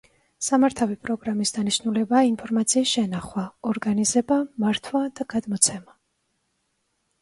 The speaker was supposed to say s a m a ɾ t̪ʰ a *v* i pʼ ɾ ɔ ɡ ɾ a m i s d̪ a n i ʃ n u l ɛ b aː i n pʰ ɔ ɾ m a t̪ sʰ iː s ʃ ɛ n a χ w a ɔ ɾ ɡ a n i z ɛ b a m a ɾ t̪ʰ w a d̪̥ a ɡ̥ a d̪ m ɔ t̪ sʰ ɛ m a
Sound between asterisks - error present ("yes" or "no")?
no